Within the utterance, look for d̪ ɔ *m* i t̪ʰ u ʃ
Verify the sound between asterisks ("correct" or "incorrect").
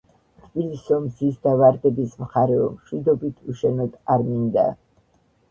incorrect